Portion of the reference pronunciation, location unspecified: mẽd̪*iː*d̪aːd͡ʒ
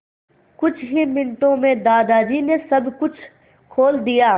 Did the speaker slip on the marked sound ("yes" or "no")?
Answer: yes